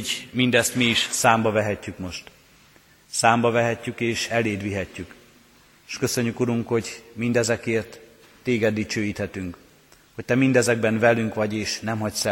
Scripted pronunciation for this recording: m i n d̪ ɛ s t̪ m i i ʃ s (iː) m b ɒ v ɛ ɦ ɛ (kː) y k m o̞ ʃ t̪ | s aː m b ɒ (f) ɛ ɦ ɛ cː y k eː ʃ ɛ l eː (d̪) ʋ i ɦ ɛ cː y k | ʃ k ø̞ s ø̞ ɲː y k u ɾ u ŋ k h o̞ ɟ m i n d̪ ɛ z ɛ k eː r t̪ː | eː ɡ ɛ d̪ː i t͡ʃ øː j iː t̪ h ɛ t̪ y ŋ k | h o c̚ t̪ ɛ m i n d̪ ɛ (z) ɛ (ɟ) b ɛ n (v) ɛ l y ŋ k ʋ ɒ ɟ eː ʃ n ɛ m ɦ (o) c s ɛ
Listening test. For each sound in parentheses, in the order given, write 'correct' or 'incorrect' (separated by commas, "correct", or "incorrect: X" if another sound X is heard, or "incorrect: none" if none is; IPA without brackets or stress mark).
incorrect: aː, incorrect: cː, incorrect: v, correct, correct, incorrect: ɡ, correct, incorrect: ɒ